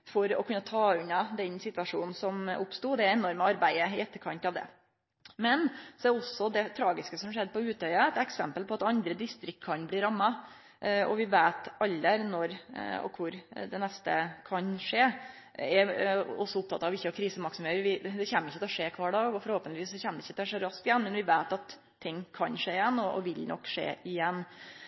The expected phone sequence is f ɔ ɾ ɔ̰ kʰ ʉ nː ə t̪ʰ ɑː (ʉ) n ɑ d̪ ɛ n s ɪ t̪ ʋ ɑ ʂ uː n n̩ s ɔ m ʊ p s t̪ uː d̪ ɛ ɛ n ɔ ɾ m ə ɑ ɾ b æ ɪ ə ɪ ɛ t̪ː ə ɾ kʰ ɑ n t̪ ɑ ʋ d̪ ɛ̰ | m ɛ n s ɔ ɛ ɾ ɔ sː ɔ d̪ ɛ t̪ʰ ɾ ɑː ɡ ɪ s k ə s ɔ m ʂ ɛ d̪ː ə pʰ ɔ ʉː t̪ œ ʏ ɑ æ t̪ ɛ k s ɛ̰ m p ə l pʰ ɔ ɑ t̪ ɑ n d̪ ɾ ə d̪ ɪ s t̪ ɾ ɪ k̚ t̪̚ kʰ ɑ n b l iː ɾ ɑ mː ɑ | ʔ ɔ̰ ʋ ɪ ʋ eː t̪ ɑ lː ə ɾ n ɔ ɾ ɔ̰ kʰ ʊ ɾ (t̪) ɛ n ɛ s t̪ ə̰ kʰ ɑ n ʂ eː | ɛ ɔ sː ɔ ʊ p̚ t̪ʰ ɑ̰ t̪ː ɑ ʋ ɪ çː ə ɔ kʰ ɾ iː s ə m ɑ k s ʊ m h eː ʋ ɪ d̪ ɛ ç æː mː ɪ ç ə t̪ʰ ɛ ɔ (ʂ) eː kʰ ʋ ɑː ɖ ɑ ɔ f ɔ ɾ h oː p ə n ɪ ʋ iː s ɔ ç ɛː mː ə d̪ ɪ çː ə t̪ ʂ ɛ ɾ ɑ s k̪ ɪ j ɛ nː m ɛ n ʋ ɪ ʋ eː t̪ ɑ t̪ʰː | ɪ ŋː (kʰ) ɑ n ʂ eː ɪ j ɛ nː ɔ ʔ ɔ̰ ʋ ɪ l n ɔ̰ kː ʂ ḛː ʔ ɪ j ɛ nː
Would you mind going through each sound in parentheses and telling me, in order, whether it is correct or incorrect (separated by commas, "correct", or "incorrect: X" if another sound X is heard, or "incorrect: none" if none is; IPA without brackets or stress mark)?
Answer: correct, incorrect: d̪, correct, correct